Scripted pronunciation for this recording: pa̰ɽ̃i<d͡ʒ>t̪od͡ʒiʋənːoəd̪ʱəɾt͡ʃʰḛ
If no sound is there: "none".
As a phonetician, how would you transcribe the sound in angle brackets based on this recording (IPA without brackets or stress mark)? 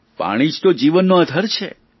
d͡ʒ